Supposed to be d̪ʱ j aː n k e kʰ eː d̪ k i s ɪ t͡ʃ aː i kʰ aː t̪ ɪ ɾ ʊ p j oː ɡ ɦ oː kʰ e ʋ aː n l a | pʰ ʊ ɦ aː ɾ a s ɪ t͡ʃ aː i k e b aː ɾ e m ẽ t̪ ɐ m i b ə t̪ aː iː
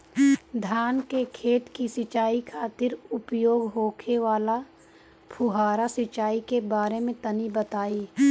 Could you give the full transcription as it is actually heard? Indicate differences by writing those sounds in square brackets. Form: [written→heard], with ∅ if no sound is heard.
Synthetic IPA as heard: d̪ʱ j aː n k e kʰ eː [d̪→t̪] k i s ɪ t͡ʃ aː i kʰ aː t̪ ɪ ɾ ʊ p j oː ɡ ɦ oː kʰ e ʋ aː [n→∅] l a | pʰ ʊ ɦ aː ɾ a s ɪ t͡ʃ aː i k e b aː ɾ e m ẽ t̪ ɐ [m→n] i b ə t̪ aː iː